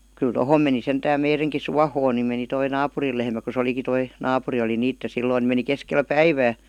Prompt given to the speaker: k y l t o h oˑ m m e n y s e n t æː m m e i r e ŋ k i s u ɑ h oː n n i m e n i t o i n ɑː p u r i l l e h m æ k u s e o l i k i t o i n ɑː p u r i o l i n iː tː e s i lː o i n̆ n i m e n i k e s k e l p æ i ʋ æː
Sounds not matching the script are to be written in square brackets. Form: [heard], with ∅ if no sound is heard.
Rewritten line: k y l t o h oˑ m m e n [i] s e n t æː m m e i r e ŋ k i s u ɑ h oː n n i m e n i t o i n ɑː p u r i l l e h m æ k u s e o l i k i t o i n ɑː p u r i o l i n iː tː e s i lː o i n̆ n i m e n i k e s k e l p æ i ʋ æː